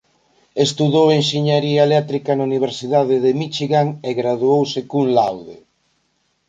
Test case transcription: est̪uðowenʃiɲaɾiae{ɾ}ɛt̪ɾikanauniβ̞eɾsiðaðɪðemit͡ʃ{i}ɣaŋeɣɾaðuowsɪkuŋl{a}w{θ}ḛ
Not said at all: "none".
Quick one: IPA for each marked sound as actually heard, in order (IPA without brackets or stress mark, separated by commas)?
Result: l, i, a, ð